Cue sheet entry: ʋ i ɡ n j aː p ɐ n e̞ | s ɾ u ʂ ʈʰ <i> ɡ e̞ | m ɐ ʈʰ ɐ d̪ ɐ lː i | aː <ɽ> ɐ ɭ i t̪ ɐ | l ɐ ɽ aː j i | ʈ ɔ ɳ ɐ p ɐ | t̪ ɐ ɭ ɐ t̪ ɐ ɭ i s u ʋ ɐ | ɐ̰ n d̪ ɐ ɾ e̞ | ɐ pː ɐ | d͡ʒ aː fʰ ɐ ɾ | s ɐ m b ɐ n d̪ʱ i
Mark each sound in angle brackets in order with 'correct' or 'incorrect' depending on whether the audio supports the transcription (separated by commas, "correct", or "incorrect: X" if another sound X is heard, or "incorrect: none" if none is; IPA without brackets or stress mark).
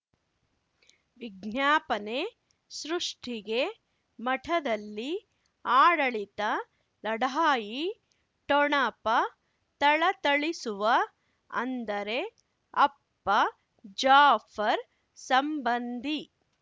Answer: correct, correct